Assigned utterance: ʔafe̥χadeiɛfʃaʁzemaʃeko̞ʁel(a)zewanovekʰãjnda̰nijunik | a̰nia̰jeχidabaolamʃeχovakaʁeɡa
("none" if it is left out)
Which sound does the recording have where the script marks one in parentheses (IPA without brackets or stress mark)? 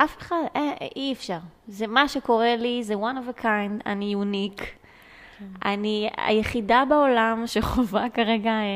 i